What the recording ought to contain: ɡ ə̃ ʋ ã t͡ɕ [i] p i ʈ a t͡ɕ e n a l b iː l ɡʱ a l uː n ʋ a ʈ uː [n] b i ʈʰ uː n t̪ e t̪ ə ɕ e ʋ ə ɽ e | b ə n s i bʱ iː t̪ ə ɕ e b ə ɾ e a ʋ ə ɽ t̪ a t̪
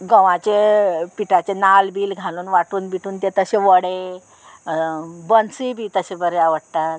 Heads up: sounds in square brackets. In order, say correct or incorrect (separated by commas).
incorrect, correct